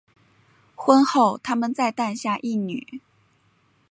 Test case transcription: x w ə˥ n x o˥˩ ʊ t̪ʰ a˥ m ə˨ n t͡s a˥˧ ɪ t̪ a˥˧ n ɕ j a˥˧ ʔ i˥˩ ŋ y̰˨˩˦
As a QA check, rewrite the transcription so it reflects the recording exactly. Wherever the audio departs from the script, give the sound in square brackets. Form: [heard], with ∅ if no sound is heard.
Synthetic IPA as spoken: x w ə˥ n x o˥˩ ʊ t̪ʰ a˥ m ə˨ n t͡s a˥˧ ɪ t̪ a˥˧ n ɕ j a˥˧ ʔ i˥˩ [n] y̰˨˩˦